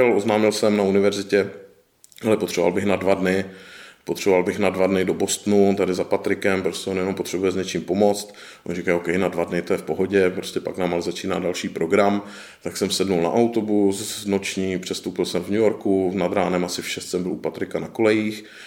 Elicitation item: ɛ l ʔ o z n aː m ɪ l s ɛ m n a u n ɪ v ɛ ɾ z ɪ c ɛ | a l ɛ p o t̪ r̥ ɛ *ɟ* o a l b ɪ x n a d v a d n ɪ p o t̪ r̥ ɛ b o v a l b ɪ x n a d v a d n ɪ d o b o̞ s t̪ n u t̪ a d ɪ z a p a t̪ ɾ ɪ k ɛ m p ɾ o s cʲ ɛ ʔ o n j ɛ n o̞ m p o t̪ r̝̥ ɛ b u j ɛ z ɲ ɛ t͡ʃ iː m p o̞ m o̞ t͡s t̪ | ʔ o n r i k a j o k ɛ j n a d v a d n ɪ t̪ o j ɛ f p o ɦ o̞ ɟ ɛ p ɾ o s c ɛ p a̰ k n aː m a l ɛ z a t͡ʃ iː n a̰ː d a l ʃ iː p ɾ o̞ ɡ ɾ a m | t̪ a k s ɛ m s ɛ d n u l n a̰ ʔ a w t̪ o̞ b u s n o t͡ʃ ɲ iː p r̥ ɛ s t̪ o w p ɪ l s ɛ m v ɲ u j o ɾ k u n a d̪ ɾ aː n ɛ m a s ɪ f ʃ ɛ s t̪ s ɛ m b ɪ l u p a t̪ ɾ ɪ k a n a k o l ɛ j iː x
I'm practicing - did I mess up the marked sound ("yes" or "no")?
yes